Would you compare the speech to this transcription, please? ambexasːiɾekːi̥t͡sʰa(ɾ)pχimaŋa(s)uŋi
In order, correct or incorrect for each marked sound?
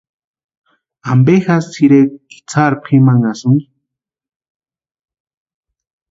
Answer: correct, correct

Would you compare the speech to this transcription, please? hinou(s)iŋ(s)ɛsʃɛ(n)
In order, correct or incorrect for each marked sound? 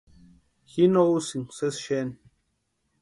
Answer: correct, correct, correct

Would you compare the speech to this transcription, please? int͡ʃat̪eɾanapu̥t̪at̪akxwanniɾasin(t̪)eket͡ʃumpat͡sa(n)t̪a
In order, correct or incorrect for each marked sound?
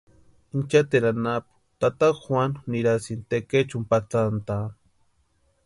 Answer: correct, correct

